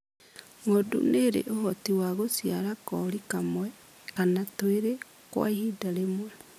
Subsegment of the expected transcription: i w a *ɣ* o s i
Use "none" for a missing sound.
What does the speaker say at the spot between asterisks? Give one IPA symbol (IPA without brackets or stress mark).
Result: ɣ